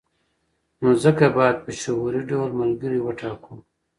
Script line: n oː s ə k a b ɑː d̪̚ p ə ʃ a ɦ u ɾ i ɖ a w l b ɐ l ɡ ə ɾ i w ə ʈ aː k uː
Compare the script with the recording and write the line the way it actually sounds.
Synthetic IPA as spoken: n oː z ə k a b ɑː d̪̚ p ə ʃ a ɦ u ɾ i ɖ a w l m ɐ l ɡ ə ɾ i w ə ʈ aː k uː